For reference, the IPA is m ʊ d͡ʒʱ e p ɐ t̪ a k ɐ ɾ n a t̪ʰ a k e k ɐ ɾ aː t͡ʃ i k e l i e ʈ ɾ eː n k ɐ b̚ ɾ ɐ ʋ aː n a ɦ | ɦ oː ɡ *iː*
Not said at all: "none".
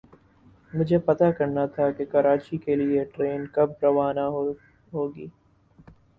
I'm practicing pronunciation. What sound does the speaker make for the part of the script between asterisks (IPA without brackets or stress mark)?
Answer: iː